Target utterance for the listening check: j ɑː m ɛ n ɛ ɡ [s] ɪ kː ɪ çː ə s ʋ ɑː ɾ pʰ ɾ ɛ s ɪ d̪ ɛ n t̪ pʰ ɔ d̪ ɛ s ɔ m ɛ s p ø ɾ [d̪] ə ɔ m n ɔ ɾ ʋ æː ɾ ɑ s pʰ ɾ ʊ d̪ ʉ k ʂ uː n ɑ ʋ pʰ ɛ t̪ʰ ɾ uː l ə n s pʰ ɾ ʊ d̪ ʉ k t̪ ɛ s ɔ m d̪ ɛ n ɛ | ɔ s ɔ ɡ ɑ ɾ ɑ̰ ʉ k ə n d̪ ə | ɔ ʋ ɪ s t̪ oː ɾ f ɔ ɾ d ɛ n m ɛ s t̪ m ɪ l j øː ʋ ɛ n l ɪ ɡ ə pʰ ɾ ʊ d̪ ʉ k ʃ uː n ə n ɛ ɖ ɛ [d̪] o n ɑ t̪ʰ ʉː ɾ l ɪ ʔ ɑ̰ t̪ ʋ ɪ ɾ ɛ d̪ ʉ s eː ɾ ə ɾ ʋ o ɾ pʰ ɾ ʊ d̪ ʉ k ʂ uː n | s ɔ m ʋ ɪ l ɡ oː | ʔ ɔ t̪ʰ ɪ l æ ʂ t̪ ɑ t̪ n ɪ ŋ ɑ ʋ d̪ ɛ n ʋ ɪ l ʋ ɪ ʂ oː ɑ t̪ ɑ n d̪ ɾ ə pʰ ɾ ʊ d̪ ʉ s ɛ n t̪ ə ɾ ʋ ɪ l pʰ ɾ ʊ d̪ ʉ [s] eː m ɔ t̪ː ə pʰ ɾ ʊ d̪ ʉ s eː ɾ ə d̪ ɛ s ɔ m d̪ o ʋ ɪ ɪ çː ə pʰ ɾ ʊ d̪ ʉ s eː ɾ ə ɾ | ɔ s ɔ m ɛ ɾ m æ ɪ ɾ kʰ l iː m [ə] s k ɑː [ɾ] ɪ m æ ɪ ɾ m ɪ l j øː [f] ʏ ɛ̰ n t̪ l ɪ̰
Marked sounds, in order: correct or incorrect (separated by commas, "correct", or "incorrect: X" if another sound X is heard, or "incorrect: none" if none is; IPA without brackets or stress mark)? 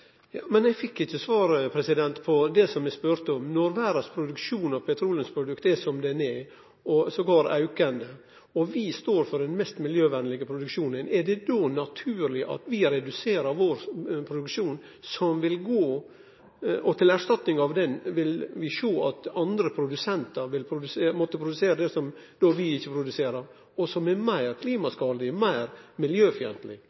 incorrect: f, incorrect: t̪, correct, correct, incorrect: ɑ, incorrect: l, correct